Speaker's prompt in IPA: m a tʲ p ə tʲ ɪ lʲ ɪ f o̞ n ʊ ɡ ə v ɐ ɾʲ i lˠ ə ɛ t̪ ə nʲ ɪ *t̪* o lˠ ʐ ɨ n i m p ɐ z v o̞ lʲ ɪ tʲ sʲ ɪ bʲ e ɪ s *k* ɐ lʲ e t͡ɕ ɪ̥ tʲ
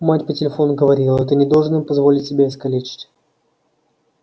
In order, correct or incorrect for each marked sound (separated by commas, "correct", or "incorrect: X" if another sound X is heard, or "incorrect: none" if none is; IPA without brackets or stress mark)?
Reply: incorrect: d̪, correct